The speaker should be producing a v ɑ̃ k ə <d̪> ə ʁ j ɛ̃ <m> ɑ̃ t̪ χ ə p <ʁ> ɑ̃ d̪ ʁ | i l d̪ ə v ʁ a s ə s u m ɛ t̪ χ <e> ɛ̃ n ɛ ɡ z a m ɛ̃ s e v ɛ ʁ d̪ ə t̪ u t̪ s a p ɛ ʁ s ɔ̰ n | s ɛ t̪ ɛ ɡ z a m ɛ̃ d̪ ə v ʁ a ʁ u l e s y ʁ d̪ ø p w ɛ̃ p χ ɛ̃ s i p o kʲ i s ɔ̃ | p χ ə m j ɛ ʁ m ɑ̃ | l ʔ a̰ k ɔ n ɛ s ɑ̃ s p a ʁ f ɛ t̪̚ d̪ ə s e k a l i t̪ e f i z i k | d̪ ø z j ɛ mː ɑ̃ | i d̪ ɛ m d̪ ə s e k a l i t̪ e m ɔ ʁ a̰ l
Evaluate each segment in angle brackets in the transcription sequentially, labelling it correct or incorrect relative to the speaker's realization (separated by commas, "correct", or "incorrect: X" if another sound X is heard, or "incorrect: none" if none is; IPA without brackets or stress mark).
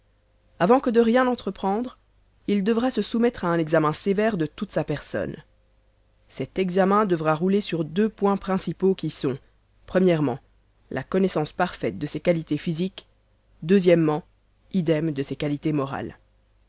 correct, incorrect: n, incorrect: χ, incorrect: a